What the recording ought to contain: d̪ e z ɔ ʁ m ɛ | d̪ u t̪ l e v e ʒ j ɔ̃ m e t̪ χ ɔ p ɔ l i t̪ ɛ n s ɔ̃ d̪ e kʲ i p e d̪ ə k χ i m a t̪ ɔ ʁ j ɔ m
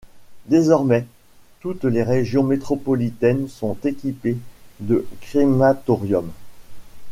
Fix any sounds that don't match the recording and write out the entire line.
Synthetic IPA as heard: d̪ e z ɔ ʁ m ɛ | t̪ u t̪ l e ʁ e ʒ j ɔ̃ m e t̪ χ ɔ p ɔ l i t̪ ɛ n s ɔ̃ t̪ e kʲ i p e d̪ ə k χ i m a t̪ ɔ ʁ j ɔ m